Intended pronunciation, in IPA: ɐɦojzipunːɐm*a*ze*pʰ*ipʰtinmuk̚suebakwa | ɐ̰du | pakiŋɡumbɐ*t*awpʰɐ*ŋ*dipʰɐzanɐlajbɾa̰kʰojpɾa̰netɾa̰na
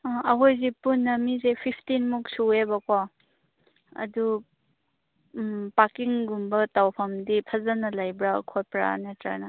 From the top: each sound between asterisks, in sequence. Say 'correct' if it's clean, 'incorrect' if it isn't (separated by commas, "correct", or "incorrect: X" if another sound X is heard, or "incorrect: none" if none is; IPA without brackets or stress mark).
incorrect: i, correct, correct, incorrect: m